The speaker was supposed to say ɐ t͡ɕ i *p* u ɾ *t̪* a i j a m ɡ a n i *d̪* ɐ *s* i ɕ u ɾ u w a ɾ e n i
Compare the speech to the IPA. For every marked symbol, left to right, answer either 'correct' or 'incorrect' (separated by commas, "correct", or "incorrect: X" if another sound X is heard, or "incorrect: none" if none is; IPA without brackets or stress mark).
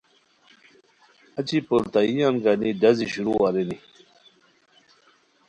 correct, correct, correct, incorrect: z